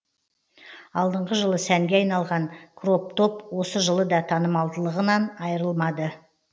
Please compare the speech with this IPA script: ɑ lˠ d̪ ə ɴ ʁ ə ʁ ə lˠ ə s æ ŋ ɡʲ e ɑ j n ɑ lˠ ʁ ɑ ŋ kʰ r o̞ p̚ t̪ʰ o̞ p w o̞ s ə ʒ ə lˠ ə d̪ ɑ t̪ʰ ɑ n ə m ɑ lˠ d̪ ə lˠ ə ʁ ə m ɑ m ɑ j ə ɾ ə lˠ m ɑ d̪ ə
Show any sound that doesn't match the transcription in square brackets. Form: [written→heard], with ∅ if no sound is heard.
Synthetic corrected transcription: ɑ lˠ d̪ ə ɴ ʁ ə [ʁ→ʒ] ə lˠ ə s æ ŋ ɡʲ e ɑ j n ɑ lˠ ʁ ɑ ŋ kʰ r o̞ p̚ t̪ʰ o̞ p w o̞ s ə ʒ ə lˠ ə d̪ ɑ t̪ʰ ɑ n ə m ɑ lˠ d̪ ə lˠ ə ʁ ə [m→n] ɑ [m→n] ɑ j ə ɾ ə lˠ m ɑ d̪ ə